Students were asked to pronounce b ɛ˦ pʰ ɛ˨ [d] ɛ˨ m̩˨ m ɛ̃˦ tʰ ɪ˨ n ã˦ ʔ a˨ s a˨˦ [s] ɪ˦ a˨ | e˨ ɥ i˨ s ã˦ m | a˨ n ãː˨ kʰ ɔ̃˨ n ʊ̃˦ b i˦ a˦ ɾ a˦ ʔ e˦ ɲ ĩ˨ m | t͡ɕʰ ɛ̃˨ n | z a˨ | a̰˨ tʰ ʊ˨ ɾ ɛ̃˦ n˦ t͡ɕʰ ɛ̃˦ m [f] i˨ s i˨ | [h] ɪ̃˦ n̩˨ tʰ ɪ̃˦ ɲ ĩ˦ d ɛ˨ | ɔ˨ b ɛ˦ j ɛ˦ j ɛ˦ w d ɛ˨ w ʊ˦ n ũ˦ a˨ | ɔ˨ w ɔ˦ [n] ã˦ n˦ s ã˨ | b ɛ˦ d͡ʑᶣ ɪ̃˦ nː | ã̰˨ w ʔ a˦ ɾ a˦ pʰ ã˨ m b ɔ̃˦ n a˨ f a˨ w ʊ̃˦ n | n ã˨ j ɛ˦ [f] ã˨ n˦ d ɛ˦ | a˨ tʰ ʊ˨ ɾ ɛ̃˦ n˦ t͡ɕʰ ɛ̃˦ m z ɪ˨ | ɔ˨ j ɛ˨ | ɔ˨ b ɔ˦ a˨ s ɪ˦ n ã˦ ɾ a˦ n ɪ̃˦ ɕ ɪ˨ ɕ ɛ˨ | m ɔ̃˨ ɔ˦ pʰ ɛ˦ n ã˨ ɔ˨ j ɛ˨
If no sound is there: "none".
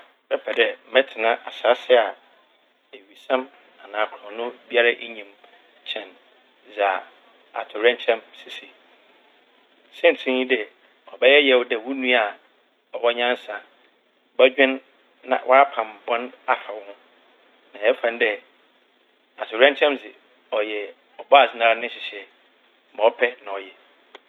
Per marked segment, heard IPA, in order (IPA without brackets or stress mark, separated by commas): d, s, s, s, ɲ, f